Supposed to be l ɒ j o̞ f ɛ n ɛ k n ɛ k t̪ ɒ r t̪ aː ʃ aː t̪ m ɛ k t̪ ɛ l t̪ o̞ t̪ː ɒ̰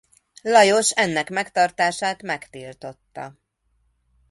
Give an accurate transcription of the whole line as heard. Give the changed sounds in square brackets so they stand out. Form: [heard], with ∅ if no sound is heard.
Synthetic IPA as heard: l ɒ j o̞ [ʃ] ɛ [nː] ɛ k [m] ɛ k t̪ ɒ r t̪ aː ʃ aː t̪ m ɛ k t̪ [i] l t̪ o̞ t̪ː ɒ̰